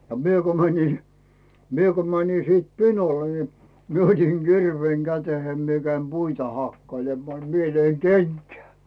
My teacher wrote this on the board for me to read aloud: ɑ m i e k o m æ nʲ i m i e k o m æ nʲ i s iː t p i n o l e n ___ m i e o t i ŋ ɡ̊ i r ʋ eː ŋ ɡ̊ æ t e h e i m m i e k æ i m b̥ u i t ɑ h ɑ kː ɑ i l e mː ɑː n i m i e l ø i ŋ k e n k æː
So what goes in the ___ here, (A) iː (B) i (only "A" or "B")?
B